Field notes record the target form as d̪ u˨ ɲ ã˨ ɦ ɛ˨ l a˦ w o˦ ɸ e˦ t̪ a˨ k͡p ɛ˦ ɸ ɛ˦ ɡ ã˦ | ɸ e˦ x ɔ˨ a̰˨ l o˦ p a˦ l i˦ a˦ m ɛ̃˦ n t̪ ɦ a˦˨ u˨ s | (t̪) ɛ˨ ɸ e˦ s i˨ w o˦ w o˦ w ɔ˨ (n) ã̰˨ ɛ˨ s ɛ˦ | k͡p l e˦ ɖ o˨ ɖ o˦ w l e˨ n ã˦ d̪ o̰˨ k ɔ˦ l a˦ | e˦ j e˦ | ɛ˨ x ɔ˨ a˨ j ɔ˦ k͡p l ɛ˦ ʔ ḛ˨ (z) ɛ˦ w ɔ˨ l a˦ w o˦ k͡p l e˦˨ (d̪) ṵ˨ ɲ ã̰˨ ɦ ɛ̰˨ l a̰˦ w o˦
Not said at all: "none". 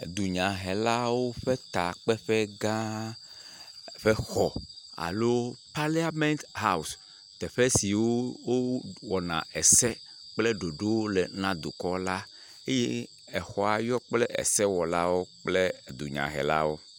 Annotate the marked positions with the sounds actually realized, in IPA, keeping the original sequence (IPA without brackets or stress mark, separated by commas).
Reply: t̪, n, s, d̪